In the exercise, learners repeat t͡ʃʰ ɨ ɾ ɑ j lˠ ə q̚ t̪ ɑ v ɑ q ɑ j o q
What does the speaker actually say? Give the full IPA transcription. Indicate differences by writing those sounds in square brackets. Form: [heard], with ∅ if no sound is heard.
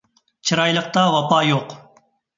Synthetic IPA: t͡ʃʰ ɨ ɾ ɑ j lˠ ə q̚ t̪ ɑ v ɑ [p] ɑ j o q